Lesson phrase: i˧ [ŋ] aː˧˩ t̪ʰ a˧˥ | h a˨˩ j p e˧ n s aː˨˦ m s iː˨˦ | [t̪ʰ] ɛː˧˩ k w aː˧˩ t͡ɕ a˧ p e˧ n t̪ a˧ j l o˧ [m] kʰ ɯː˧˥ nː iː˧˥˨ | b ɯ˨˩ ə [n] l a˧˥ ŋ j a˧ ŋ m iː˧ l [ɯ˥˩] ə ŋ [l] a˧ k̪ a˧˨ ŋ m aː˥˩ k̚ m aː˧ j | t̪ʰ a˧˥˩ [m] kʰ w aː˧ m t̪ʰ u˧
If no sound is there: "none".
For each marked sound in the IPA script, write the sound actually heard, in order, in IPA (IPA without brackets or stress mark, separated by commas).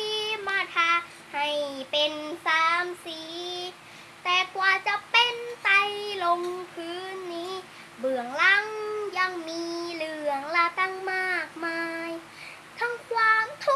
m, t̪, ŋ, ŋ, ɯ˧˩, l, ŋ